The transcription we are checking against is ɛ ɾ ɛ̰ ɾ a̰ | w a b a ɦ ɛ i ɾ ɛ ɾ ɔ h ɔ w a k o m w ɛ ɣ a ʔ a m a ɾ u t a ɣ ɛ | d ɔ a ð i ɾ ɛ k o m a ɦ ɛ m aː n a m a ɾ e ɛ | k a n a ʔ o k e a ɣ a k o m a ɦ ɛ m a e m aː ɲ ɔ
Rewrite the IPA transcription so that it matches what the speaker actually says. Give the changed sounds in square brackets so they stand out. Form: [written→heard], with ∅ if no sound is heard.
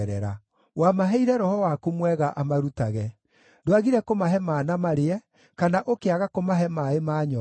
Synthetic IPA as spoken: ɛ ɾ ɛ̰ ɾ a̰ | w a [b→m] a ɦ ɛ i ɾ ɛ ɾ ɔ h ɔ w a k o m w ɛ ɣ a ʔ a m a ɾ u t a ɣ ɛ | d [ɔ→o] a [ð→ɣ] i ɾ ɛ k o m a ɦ ɛ m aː n a m a ɾ e ɛ | k a n a ʔ o k e a ɣ a k o m a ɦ ɛ m a e m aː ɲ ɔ

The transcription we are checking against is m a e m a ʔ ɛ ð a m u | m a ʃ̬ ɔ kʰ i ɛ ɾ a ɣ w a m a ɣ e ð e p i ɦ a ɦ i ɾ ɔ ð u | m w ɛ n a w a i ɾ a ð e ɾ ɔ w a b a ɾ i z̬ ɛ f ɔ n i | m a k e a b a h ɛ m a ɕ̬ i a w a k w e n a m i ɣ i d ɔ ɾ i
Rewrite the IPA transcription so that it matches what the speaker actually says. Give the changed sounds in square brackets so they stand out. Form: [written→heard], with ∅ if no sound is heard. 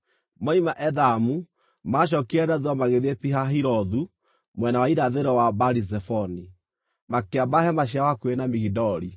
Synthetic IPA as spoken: m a [e→i] m a ʔ ɛ ð a m u | m a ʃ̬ ɔ [kʰ→k] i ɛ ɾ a [ɣ→ð] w a m a ɣ e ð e p i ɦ a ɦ i ɾ ɔ ð u | m w ɛ n a w a i ɾ a ð e ɾ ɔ w a b a ɾ i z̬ ɛ f ɔ n i | m a k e a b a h ɛ m a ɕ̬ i a w a k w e n a m i ɣ i d ɔ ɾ i

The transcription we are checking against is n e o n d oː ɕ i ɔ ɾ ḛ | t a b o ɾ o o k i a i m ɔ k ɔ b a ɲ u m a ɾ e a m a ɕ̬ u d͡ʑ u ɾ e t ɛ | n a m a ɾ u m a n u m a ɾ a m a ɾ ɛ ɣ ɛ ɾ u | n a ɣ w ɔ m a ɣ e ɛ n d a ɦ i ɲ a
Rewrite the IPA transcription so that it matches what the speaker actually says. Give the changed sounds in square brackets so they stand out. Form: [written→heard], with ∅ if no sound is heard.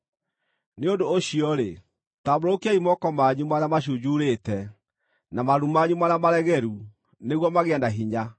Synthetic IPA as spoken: n e o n d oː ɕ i ɔ ɾ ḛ | t a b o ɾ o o k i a i m ɔ k ɔ [b→m] a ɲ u m a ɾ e a m a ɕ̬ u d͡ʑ u ɾ e t ɛ | n a m a ɾ u m a [n→ɲ] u m a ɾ a m a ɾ ɛ ɣ ɛ ɾ u | n [a→e] ɣ w ɔ m a ɣ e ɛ n d a ɦ i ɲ a

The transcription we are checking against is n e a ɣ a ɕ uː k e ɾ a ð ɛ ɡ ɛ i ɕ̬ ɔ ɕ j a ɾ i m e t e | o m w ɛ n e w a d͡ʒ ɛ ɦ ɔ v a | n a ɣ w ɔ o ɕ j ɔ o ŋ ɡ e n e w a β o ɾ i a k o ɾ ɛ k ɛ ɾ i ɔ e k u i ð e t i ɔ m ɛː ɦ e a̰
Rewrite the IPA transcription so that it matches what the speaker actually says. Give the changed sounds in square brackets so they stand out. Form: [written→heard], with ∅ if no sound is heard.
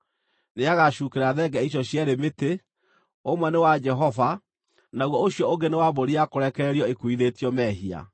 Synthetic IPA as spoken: n e a ɣ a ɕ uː k e ɾ a ð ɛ ɡ ɛ i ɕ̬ ɔ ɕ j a ɾ [i→e] m e t e | o m w ɛ n e w a d͡ʒ ɛ ɦ ɔ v a | n a ɣ w ɔ o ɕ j ɔ o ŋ ɡ e n e w a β o ɾ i a k o ɾ ɛ k ɛ ɾ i ɔ e k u i ð e t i ɔ m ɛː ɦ [e→i] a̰

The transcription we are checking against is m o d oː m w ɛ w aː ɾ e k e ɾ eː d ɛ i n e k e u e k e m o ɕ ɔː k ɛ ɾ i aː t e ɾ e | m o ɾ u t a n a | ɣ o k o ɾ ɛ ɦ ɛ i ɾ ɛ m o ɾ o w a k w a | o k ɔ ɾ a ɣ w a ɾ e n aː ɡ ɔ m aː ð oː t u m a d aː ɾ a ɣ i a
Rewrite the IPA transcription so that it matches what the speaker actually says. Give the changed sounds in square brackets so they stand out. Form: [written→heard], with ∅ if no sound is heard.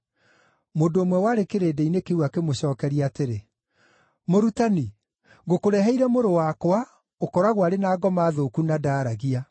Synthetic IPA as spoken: m o d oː m w ɛ w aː ɾ e k e ɾ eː d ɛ i n e k e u [e→a] k e m o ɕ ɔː k ɛ ɾ i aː t e ɾ e | m o ɾ u t a n [a→i] | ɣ o k o ɾ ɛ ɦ ɛ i ɾ ɛ m o ɾ o w a k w a | o k ɔ ɾ a ɣ w a ɾ e n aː ɡ ɔ m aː ð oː [t→k] u [m→n] a d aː ɾ a ɣ i a

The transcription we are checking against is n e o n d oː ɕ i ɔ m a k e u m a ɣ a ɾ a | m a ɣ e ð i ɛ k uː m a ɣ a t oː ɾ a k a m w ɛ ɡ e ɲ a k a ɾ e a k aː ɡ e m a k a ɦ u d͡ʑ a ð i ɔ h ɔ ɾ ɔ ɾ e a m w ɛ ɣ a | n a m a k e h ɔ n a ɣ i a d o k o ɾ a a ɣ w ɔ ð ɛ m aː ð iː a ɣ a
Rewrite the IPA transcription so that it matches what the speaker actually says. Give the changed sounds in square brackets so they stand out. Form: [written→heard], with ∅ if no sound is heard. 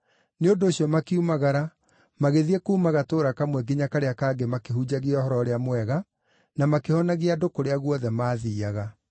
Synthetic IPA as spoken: n e o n d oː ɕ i ɔ m a k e u m a ɣ a ɾ a | m a ɣ e ð i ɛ k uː m a ɣ a t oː ɾ a k a m w ɛ ɡ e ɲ a k a ɾ e a k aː ɡ e m a k [a→e] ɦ u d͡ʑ a [ð→ɣ] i ɔ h ɔ ɾ ɔ ɾ e a m w ɛ ɣ a | n a m a k e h ɔ n a ɣ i a d o k o ɾ [a→e] a ɣ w ɔ ð ɛ m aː ð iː a ɣ a

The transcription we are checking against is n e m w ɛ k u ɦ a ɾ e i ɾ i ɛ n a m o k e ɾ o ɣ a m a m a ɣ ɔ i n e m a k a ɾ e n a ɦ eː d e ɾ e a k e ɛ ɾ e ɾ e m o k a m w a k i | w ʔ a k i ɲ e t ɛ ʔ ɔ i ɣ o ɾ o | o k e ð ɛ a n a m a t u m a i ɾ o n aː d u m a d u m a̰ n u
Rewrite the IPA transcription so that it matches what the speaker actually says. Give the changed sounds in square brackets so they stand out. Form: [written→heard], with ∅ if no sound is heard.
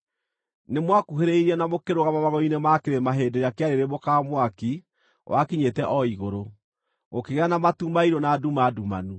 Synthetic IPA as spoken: n e m w [ɛ→a] k u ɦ [a→e] ɾ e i ɾ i ɛ n a m o k e ɾ o ɣ a m a m a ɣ ɔ i n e m a k [a→e] ɾ e [n→m] a ɦ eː d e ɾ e a k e [ɛ→a] ɾ e ɾ e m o k a m w a k i | w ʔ a k i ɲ e t ɛ ʔ ɔ i ɣ o ɾ o | o k e [ð→ɣ] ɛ a n a m a t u m a i ɾ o n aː d u m a d u m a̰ n u

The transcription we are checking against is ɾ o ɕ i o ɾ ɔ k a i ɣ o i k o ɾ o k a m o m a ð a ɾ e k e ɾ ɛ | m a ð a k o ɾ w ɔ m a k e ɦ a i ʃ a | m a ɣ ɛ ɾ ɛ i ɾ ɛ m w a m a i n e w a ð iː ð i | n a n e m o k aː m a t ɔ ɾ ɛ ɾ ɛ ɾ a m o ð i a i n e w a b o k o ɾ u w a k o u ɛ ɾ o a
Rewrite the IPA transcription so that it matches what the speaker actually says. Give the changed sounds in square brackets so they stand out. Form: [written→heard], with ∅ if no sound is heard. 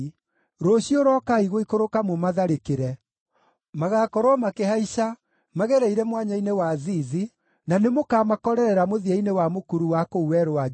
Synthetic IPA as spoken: ɾ o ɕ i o ɾ ɔ k a i ɣ o i k o ɾ o k a m o m a ð a ɾ e k e ɾ ɛ | m a [ð→ɣ] a k [o→ɔ] ɾ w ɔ m a k e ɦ a i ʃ a | m a ɣ ɛ ɾ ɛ i ɾ ɛ m w a [m→ɲ] a i n e w a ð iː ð i | n a n e m o k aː m a [t→k] ɔ ɾ ɛ ɾ ɛ ɾ a m o ð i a i n e w a [b→m] o k [o→u] ɾ u w a k o u ɛ ɾ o a

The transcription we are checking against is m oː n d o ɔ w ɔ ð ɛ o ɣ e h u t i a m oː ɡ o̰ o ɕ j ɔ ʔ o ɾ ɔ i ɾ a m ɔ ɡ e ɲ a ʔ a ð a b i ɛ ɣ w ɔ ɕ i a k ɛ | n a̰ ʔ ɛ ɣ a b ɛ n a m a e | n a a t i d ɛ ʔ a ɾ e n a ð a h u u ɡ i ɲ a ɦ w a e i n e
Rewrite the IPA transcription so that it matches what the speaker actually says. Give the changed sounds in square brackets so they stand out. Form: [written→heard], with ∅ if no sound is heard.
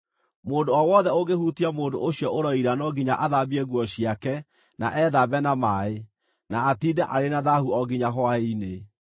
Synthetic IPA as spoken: m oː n d o ɔ w ɔ ð ɛ o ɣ e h u t i a m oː [ɡ→d] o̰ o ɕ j ɔ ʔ o ɾ ɔ i ɾ a [m→n] ɔ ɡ [e→i] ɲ a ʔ a ð a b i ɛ ɣ w ɔ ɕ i a k ɛ | n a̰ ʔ ɛ [ɣ→ð] a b ɛ n a m a e | n a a t i d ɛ ʔ a ɾ e n a ð a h u [u→ɔ] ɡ i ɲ a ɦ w a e i n e

